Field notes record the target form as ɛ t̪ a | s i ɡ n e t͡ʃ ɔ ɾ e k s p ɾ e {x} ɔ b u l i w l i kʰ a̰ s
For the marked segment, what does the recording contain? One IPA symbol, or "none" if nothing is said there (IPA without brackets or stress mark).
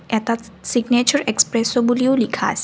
s